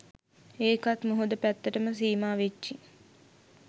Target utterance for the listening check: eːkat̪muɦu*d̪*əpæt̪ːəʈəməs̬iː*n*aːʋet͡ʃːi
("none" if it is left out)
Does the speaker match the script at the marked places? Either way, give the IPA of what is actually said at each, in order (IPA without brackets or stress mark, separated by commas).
d̪, m